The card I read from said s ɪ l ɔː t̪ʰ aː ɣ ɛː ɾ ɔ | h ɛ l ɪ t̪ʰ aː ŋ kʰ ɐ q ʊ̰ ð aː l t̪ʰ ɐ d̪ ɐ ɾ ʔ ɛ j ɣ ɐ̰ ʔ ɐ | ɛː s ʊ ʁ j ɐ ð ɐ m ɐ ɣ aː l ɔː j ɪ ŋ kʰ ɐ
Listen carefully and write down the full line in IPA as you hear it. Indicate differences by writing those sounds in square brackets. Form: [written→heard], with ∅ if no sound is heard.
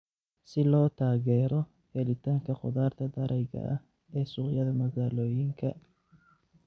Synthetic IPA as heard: s ɪ l ɔː t̪ʰ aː ɣ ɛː ɾ ɔ | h ɛ l ɪ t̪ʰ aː ŋ kʰ ɐ q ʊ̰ ð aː [l→r] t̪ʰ ɐ d̪ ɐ ɾ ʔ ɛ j ɣ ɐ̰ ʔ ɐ | ɛː s ʊ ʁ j ɐ ð ɐ m ɐ ɣ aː l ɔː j ɪ ŋ kʰ ɐ

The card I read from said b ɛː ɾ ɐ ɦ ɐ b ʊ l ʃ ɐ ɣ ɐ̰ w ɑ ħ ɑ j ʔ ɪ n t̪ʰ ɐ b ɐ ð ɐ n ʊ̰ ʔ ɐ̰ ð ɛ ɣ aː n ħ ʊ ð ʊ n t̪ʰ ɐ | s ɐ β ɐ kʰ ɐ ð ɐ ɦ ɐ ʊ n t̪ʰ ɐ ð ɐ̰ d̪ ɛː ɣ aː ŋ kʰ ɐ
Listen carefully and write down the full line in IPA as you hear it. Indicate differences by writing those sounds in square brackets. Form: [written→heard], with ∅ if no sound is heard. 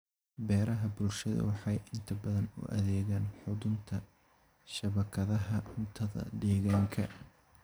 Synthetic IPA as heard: b ɛː ɾ ɐ ɦ ɐ b ʊ l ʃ ɐ [ɣ→ð] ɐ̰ w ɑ ħ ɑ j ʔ ɪ n t̪ʰ ɐ b ɐ ð ɐ n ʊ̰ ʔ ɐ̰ ð [ɛ→ɛː] ɣ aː n ħ ʊ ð ʊ n t̪ʰ ɐ | [s→ʃ] ɐ β ɐ kʰ ɐ ð ɐ ɦ ɐ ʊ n t̪ʰ ɐ ð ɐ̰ d̪ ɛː ɣ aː ŋ kʰ ɐ

